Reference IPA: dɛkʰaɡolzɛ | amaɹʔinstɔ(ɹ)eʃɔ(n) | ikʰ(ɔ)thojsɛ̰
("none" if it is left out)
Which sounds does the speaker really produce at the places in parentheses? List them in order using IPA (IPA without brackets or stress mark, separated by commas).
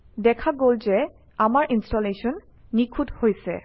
l, nː, u